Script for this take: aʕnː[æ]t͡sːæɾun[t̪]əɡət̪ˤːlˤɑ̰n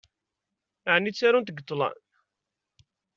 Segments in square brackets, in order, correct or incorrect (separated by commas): incorrect, correct